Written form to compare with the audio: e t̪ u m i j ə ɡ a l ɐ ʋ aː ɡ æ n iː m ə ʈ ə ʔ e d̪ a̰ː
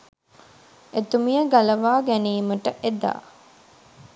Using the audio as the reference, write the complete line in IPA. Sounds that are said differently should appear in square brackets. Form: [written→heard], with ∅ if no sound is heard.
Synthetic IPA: e t̪ u m i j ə ɡ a l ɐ ʋ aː ɡ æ n iː m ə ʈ ə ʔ e d̪ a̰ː